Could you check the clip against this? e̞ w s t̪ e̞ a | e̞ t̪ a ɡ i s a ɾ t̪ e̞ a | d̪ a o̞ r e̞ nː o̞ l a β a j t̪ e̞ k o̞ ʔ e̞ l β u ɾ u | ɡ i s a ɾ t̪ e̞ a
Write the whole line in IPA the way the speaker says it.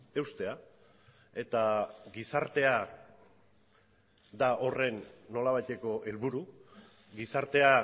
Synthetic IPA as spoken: e̞ w s t̪ e̞ a | e̞ t̪ a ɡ i s a ɾ t̪ e̞ a | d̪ a o̞ r e̞ nː o̞ l a β a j t̪ e̞ k o̞ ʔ e̞ l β u ɾ u | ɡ i s a ɾ t̪ e̞ a